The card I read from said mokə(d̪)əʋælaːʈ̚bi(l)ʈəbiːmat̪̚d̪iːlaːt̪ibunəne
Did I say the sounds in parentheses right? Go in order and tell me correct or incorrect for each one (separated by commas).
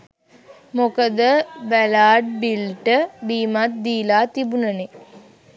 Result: correct, correct